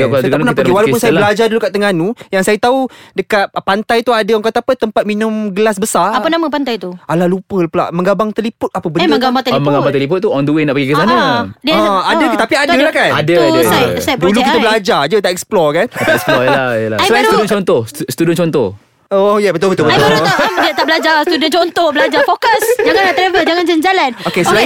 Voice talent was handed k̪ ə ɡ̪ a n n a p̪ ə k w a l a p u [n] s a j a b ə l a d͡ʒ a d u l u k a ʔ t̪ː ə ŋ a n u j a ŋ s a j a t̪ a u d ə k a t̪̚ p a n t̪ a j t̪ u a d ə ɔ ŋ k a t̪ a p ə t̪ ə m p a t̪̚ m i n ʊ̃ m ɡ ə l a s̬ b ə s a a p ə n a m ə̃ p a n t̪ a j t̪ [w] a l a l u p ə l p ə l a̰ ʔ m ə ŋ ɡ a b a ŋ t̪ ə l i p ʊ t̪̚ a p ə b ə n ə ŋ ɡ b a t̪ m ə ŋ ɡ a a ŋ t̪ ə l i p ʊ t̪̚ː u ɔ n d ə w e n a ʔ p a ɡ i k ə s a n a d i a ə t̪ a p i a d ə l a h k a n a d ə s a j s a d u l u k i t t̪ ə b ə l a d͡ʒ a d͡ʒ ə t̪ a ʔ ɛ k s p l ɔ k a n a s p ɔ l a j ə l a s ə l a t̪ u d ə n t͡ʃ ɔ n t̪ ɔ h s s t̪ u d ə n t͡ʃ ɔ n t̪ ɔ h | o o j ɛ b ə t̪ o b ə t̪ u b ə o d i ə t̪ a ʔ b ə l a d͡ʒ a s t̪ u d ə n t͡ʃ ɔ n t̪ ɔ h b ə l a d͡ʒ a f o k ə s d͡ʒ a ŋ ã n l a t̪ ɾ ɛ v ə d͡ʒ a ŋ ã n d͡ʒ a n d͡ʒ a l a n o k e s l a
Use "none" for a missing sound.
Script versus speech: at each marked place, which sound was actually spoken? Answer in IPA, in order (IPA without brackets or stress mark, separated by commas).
n, u